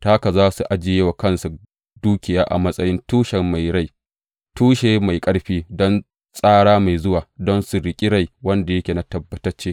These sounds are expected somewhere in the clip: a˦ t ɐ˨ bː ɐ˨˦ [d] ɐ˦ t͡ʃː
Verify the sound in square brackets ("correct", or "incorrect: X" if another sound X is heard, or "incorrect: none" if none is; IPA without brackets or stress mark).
incorrect: t